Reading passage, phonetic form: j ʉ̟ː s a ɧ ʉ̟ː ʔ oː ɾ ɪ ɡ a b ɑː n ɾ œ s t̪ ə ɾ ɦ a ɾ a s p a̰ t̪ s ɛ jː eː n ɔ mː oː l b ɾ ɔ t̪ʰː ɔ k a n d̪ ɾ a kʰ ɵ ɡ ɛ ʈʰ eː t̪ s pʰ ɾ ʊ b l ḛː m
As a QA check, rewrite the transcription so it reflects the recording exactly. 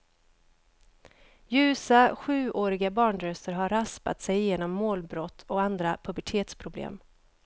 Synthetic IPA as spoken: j ʉ̟ː s a ɧ ʉ̟ː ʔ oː ɾ ɪ ɡ a b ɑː ɳ ɾ œ s t̪ ə ɾ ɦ a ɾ a s p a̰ t̪ s ɛ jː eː n ɔ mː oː l b ɾ ɔ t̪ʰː ɔ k a n d̪ ɾ a pʰ ɵ b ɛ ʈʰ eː t̪ s pʰ ɾ ʊ b l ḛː m

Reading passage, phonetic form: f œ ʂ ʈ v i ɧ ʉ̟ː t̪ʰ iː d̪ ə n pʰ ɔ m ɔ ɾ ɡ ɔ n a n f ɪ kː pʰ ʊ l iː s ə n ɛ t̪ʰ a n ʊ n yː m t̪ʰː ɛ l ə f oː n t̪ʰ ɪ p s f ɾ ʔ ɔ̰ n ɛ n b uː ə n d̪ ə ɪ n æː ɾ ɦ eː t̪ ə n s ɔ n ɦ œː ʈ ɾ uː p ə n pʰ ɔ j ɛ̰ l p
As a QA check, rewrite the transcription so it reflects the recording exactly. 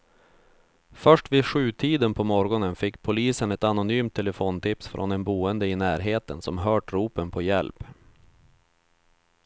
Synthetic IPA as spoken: f œ ʂ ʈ v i ɧ ʉ̟ː t̪ʰ iː d̪ ə n pʰ ɔ m ɔ ɾ ɡ ɔ n ə n f ɪ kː pʰ ʊ l iː s ə n ɛ t̪ a n ʊ n yː m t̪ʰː ɛ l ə f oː n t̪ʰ ɪ p s f ɾ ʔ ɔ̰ n ɛ n b uː ə n d̪ ə ɪ n æː ɾ ɦ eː t̪ ə n s ɔ m ɦ œː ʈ ɾ uː p ə n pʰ ɔ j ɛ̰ l p

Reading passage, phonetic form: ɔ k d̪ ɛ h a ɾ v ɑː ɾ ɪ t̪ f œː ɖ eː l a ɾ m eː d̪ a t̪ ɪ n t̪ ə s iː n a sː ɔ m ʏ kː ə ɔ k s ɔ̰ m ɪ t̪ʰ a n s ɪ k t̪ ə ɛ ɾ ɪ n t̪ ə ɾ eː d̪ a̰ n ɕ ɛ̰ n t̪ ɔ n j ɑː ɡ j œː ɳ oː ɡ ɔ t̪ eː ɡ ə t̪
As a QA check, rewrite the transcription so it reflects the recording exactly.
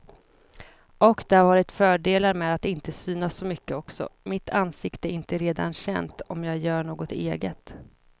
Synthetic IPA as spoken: ɔ k d̪ ɛ h a ɾ v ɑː ɾ ɪ t̪ f œː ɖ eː l a ɾ m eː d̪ a t̪ ɪ n t̪ ə s yː n a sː ɔ m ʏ kː ə ɔ k s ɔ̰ m ɪ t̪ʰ a n s ɪ k t̪ ə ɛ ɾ ɪ n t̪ ə ɾ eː d̪ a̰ n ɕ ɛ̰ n t̪ ɔ m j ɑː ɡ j œː ɳ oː ɡ ɔ t̪ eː ɡ ə t̪

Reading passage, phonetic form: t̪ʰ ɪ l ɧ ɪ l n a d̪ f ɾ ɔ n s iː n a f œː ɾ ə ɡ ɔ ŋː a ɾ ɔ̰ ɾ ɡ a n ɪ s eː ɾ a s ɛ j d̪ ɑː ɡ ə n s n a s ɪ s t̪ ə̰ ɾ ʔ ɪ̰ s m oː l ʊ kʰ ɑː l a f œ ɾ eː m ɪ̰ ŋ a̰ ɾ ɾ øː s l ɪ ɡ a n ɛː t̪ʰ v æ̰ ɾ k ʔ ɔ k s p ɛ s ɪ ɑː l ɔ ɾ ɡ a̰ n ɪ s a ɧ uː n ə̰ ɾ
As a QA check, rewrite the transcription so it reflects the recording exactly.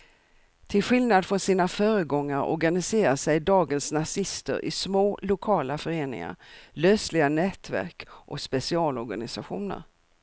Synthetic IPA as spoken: t̪ʰ ɪ l ɧ ɪ l n a d̪ f ɾ ɔ n s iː n a f œː ɾ ə ɡ ɔ ŋː a ɾ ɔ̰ ɾ ɡ a n ɪ s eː ɾ a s ɛ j d̪ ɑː ɡ ə n s n a s ɪ s t̪ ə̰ ɾ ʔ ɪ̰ s m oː l ʊ kʰ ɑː l a f œ ɾ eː n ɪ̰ ŋ a̰ ɾ l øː s l ɪ ɡ a n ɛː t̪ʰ v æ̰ ɾ k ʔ ɔ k s p ɛ s ɪ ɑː l ɔ ɾ ɡ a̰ n ɪ s a ɧ uː n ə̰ ɾ

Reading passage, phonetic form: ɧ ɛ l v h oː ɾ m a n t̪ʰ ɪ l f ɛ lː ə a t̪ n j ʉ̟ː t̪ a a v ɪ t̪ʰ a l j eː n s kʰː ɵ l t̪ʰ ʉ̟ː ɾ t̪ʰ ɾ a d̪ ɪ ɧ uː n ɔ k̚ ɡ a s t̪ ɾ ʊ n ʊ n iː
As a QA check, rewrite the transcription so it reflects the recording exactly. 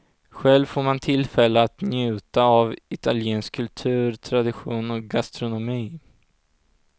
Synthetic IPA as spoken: ɧ ɛ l v f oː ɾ m a n t̪ʰ ɪ l f ɛ lː ə a t̪ n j ʉ̟ː t̪ a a v ɪ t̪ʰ a l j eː n s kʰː ɵ l t̪ʰ ʉ̟ː ɾ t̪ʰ ɾ a d̪ ɪ ɧ uː n ɔ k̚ ɡ a s t̪ ɾ ʊ n ʊ m iː

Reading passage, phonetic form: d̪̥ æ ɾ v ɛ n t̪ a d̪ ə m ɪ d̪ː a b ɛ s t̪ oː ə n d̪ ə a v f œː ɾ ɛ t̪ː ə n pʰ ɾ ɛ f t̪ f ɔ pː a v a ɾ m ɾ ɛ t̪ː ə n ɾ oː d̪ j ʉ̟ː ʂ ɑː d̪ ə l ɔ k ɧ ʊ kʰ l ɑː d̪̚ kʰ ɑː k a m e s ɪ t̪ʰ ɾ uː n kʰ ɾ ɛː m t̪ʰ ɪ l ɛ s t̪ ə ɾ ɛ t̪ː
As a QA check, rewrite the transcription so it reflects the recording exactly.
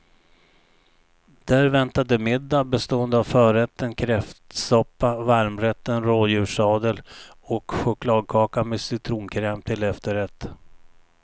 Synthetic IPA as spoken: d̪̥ æ ɾ v ɛ n t̪ a d̪ ə m ɪ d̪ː a b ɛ s t̪ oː ə n d̪ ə a v f œː ɾ ɛ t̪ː ə n kʰ ɾ ɛ f t̪ s ɔ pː a v a ɾ m ɾ ɛ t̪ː ə n ɾ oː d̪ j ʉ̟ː ʂ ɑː d̪ ə l ɔ k ɧ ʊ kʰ l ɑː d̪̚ kʰ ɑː k a m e s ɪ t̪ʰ ɾ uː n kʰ ɾ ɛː m t̪ʰ ɪ l ɛ f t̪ ə ɾ ɛ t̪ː

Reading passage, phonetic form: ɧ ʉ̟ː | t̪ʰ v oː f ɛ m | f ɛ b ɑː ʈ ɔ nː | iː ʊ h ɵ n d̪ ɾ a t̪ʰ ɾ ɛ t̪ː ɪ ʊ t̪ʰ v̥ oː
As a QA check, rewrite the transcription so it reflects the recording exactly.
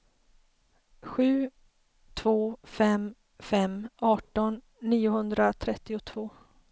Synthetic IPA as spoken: ɧ ʉ̟ː | t̪ʰ v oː f ɛ m | f ɛ m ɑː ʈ ɔ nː | iː ʊ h ɵ n d̪ ɾ a t̪ʰ ɾ ɛ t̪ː ɪ ʊ t̪ʰ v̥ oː

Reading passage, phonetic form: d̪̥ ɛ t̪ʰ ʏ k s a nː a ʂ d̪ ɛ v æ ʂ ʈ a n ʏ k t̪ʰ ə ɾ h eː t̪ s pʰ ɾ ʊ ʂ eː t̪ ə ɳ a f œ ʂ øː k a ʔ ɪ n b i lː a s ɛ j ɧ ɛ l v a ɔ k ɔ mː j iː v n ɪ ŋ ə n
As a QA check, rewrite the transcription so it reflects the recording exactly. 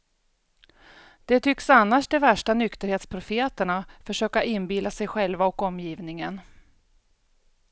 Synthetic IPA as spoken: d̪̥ ɛ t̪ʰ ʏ k s a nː a ʂ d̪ ɛ v æ ʂ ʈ a n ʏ k t̪ ə ɾ h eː t̪ s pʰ ɾ ʊ f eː t̪ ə ɳ a f œ ʂ øː k a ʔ ɪ n b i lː a s ɛ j ɧ ɛ l v a ɔ k ɔ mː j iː v n ɪ ŋ ə n

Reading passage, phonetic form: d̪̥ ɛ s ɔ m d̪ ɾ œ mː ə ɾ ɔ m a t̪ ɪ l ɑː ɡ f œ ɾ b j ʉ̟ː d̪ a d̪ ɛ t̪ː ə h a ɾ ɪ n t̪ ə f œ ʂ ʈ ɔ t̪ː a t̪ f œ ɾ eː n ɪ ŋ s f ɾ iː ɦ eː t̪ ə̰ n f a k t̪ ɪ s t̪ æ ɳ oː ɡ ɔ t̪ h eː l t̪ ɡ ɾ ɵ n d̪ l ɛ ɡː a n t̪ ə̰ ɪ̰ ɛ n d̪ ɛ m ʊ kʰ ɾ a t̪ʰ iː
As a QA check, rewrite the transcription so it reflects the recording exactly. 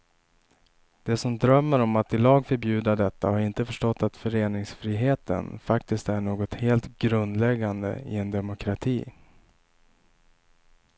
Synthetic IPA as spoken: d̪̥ ɛ s ɔ m d̪ ɾ œ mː ə ɾ ɔ m a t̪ ɪ l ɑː ɡ f œ ɾ b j ʉ̟ː d̪ a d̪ ɛ t̪ː a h a ɾ ɪ n t̪ ə f œ ʂ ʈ ɔ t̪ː a t̪ f œ ɾ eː n ɪ ŋ s f ɾ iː ɦ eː t̪ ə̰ n f a k t̪ ɪ s t̪ æ ɳ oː ɡ ɔ t̪ h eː l t̪ ɡ ɾ ɵ n d̪ l ɛ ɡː a n d̪ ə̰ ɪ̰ ɛ n d̪ ɛ m ʊ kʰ ɾ a t̪ʰ iː

